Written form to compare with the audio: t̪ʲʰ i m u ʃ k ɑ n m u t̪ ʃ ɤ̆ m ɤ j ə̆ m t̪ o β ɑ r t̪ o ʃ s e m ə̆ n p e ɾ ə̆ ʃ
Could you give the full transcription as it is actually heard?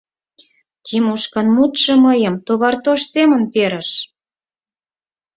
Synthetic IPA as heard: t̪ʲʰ i m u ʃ k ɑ n m u t̪ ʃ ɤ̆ m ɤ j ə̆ m t̪ o β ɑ r t̪ o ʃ s e m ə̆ n p e ɾ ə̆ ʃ